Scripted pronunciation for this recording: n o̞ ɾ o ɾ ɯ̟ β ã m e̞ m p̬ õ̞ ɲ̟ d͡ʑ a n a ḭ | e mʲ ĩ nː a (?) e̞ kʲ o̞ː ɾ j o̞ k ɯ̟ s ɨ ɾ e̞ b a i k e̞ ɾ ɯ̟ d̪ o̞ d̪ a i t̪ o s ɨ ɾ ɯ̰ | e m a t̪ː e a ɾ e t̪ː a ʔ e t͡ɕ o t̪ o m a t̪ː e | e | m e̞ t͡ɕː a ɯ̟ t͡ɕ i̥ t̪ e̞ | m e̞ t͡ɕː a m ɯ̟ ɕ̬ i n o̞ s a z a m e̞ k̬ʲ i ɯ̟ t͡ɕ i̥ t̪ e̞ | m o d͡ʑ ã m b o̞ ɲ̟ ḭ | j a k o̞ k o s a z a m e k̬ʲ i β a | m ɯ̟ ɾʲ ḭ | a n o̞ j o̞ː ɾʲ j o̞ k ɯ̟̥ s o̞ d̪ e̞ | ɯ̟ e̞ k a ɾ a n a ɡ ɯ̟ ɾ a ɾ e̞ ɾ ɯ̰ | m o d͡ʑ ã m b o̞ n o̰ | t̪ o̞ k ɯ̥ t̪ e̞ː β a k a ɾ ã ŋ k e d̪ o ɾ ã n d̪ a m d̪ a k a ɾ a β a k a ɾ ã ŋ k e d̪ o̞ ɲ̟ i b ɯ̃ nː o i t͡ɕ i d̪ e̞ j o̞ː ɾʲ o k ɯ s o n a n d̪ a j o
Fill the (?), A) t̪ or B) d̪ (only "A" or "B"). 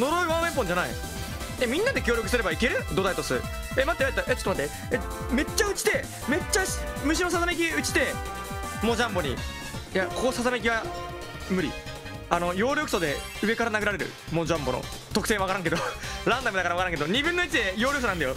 B